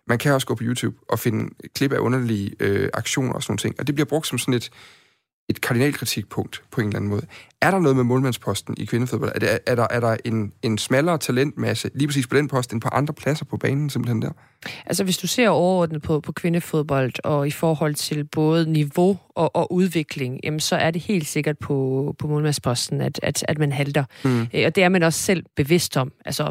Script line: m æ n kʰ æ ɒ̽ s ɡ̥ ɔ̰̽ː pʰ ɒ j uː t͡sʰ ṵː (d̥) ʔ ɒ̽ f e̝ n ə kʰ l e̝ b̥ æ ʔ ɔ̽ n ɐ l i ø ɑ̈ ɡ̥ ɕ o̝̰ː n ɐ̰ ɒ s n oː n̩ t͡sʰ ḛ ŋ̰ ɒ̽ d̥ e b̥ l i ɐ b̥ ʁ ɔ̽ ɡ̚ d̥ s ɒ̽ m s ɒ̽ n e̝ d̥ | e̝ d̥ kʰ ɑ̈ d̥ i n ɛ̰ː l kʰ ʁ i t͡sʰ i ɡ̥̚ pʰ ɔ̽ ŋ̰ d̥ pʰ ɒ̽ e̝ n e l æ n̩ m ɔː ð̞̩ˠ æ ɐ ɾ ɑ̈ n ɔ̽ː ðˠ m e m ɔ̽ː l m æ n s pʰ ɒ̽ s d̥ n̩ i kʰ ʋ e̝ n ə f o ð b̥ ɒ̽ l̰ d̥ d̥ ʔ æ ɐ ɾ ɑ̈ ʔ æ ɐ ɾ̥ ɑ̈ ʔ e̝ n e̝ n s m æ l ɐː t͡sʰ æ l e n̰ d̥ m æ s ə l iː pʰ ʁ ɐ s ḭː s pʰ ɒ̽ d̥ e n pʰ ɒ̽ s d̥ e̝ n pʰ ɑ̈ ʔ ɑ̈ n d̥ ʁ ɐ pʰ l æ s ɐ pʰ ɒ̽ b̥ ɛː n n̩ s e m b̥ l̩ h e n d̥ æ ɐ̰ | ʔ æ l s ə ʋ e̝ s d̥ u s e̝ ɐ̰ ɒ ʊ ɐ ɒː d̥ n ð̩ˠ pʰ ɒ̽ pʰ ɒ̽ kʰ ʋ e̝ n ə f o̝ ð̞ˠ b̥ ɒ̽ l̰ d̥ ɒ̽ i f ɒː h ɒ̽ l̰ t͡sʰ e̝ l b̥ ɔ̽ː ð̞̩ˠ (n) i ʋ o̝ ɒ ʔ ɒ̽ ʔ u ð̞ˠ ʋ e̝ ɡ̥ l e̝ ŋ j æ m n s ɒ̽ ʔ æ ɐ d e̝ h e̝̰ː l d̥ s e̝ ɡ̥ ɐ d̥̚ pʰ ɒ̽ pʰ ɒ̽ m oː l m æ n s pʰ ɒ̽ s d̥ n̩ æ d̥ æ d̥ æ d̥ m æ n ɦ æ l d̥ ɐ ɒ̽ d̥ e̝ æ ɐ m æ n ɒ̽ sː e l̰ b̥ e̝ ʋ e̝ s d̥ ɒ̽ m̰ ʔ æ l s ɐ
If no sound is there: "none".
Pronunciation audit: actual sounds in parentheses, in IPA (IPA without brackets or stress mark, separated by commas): b̥, n